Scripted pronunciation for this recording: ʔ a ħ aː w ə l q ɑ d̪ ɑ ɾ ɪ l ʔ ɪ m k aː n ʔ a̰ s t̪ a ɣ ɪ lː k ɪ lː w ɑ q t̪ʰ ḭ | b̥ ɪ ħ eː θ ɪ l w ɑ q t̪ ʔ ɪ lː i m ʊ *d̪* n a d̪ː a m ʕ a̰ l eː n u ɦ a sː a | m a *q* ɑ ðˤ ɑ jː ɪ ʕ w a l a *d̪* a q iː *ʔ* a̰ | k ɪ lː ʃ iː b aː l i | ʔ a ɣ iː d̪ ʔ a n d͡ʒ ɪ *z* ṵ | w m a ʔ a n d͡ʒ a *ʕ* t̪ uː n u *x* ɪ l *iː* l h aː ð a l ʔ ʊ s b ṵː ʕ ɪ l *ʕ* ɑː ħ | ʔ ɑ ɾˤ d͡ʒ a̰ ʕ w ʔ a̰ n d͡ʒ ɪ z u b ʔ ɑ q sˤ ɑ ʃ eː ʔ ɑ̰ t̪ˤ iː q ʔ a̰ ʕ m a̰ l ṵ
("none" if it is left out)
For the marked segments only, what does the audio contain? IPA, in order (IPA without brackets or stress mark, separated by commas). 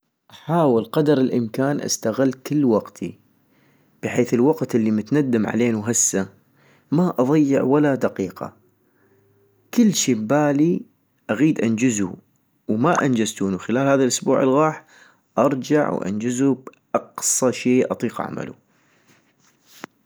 t̪, ʔ, d̪, q, z, z, x, aː, ɣ